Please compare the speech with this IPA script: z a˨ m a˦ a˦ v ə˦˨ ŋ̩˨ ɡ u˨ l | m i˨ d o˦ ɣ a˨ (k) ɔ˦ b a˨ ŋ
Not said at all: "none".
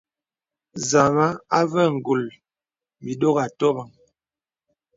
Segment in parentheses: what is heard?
t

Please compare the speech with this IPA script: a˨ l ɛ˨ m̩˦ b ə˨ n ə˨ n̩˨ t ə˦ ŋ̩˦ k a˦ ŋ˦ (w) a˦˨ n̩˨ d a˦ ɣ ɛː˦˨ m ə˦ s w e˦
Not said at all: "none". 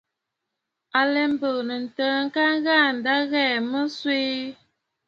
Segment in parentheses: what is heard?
ɣ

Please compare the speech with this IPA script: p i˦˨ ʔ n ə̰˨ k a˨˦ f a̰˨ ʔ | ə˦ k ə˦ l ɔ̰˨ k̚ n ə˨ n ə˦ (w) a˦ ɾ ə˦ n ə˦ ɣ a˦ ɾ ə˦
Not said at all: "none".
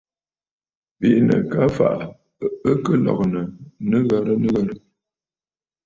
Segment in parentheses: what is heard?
ɣ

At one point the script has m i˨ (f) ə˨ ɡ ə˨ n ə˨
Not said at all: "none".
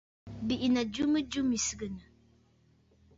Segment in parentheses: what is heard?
s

